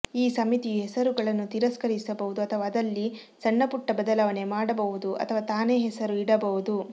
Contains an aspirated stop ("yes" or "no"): yes